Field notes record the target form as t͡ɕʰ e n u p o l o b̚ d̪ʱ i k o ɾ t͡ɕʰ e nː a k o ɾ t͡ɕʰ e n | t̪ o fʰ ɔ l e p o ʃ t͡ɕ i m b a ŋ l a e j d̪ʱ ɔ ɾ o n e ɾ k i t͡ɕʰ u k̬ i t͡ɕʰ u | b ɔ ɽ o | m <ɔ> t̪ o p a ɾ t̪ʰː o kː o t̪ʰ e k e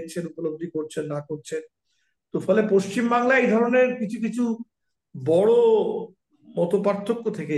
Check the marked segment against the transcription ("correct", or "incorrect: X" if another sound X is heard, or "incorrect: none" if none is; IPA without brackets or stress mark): correct